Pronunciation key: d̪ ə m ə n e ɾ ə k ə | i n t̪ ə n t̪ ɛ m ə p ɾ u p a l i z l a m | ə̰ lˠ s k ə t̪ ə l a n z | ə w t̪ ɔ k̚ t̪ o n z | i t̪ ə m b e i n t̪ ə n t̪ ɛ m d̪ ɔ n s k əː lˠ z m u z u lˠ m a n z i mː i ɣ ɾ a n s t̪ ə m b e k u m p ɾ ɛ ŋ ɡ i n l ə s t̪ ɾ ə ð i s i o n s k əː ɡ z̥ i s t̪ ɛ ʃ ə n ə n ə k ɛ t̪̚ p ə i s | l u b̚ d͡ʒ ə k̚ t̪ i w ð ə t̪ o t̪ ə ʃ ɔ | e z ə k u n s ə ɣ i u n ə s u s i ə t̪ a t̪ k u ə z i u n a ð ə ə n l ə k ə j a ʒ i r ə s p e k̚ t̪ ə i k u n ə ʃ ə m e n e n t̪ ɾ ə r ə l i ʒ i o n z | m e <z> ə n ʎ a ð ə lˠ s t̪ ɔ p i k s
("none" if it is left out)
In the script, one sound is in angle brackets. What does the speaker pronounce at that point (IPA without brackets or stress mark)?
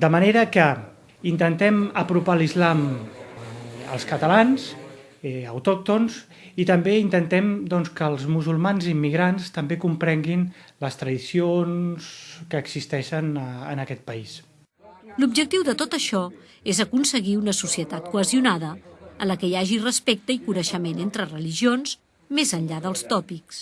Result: z